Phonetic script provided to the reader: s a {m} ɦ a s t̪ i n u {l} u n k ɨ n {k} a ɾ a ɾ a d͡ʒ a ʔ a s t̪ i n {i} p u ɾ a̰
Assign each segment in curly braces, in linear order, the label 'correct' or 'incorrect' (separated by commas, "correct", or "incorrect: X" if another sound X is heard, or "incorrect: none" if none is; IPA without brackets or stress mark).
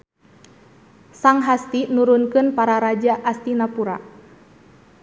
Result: incorrect: ŋ, incorrect: ɾ, incorrect: p, incorrect: a